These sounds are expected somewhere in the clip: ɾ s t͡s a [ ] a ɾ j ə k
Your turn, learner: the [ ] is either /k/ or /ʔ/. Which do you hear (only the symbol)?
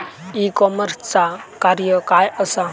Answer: k